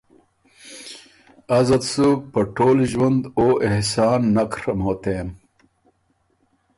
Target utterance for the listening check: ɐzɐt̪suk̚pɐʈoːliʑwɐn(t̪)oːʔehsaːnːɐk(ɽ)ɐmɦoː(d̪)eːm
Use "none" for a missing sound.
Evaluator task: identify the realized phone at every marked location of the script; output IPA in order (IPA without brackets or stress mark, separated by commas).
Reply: d̪, ɾ, t̪